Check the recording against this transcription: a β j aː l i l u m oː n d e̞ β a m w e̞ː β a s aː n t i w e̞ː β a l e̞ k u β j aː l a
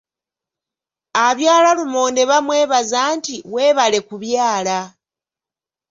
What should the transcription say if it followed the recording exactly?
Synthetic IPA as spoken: a β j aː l a l u m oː n d e̞ β a m w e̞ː β a z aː n t i w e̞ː β a l e̞ k u β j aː l a